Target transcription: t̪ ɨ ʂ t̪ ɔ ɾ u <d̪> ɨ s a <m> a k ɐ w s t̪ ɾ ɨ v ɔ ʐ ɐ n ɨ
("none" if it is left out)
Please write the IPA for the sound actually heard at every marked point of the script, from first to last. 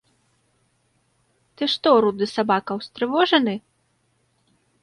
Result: d̪, b

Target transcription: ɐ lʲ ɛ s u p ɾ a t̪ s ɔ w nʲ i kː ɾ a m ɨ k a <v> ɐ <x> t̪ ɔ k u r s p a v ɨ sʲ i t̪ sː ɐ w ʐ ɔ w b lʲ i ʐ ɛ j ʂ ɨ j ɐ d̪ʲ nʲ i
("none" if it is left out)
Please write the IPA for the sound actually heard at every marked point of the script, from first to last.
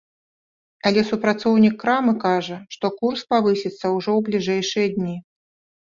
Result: ʐ, ʂ

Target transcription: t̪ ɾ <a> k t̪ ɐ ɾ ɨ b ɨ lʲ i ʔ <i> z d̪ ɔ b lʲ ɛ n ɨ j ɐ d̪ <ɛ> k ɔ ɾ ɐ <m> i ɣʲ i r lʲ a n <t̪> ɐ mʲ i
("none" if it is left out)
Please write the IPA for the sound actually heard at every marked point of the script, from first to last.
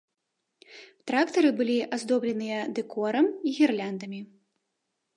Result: a, a, ɛ, m, d̪

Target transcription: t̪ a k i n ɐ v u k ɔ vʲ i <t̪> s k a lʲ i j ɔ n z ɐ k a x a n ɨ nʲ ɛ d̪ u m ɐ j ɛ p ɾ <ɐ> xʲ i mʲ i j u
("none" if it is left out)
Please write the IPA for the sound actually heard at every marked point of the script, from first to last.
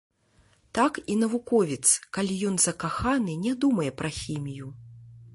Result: t̪, ɐ

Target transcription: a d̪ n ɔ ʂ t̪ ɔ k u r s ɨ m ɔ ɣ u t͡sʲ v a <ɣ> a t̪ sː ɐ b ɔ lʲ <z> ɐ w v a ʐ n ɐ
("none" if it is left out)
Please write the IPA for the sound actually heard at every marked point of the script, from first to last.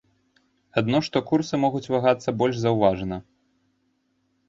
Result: ɣ, z

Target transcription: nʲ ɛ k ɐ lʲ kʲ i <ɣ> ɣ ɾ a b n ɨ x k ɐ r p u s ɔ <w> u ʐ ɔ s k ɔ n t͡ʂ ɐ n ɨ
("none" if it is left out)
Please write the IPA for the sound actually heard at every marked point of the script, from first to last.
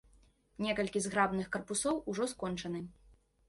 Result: z, w

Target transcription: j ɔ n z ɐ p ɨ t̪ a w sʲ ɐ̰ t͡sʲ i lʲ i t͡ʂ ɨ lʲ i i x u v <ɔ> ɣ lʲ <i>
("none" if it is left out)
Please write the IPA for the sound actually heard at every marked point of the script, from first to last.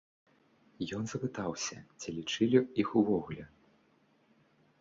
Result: ɔ, ɛ

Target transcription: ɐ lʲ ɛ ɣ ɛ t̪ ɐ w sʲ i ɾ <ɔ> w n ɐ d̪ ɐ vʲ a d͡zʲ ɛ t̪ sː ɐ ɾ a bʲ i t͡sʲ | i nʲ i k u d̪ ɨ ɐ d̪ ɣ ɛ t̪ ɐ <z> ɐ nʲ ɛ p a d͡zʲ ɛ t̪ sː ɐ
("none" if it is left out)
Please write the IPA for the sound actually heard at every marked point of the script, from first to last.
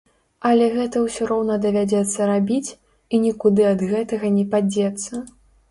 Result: ɔ, ɣ

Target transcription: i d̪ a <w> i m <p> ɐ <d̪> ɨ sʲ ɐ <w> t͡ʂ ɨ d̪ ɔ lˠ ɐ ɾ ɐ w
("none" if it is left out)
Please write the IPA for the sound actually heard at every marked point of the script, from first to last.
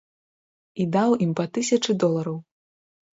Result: w, p, t̪, none

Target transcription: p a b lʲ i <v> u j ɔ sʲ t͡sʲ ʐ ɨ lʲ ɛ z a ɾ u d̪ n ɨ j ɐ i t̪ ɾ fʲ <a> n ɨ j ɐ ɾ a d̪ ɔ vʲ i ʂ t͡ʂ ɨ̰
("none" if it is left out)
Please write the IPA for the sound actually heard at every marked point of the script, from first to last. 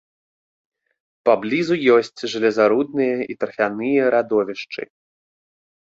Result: z, a

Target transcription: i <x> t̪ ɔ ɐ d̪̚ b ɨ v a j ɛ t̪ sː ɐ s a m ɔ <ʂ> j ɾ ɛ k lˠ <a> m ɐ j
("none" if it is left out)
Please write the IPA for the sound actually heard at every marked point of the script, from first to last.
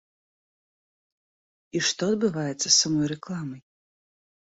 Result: ʂ, none, a

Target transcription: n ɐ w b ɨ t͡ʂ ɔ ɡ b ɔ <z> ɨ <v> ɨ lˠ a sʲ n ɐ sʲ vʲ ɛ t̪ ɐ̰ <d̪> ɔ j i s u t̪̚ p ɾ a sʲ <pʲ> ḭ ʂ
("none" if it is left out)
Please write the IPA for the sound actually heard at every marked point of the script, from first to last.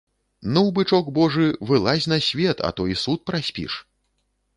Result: ʐ, v, t̪, pʲ

